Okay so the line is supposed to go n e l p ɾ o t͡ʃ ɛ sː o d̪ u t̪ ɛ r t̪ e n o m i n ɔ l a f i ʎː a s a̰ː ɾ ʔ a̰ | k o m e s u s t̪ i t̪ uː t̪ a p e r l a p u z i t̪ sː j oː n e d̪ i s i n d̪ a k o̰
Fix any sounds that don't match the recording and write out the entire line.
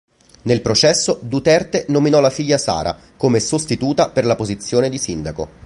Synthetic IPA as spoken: n e l p ɾ o t͡ʃ ɛ sː o d̪ u t̪ ɛ r t̪ e n o m i n ɔ l a f i ʎː a s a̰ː ɾ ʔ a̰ | k o m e s o s t̪ i t̪ uː t̪ a p e r l a p o z i t̪ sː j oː n e d̪ i s i n d̪ a k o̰